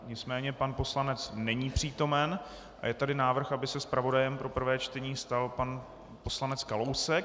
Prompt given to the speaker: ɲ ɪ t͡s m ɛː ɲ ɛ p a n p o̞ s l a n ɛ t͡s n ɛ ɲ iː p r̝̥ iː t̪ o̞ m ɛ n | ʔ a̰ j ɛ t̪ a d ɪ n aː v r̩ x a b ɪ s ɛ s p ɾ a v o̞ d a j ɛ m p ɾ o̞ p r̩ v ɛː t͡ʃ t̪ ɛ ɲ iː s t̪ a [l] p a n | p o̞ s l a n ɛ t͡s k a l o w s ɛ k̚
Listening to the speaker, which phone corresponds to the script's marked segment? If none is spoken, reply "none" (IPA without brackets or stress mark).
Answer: l